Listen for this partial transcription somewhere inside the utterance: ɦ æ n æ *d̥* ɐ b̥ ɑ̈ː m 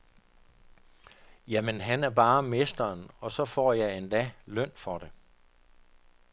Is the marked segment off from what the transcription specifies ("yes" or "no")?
yes